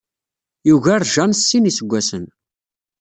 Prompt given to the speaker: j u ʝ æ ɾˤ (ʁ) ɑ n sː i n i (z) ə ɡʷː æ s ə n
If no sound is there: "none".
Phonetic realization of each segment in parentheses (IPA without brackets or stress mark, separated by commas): ʒ, s